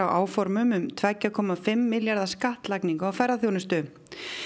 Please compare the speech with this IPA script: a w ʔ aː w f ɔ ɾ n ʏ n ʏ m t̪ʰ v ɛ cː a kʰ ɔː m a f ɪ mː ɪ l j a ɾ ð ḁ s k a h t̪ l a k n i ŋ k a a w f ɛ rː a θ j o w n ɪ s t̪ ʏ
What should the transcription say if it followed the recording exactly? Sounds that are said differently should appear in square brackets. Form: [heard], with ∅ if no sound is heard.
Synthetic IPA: a w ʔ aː w f ɔ ɾ [m] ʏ [m] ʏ m t̪ʰ v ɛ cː a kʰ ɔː m a f ɪ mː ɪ l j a ɾ ð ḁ s k a h t̪ l a k n i ŋ k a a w f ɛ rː a θ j o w n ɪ s t̪ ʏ